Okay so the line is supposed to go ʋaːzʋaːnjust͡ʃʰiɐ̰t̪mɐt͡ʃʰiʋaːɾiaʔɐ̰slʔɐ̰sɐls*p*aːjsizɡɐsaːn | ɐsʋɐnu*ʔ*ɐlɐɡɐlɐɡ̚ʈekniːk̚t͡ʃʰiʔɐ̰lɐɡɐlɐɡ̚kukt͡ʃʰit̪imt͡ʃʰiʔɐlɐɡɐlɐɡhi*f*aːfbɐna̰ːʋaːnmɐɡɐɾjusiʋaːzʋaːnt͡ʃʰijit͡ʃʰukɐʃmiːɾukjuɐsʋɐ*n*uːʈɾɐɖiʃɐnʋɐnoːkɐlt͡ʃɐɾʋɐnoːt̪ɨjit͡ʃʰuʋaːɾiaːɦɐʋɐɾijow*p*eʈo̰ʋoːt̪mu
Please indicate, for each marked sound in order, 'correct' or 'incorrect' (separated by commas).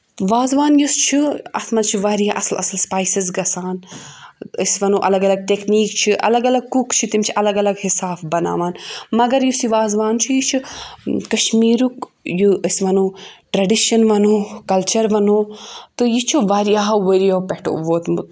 correct, correct, incorrect, correct, correct